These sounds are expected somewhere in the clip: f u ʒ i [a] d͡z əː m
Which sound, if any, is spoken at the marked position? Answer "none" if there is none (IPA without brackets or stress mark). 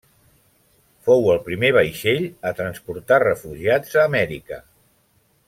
a